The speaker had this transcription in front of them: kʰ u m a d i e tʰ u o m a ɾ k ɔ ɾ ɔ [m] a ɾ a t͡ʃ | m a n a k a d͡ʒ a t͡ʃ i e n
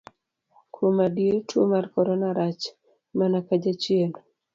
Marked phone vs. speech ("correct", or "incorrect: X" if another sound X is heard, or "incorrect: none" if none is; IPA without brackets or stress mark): incorrect: n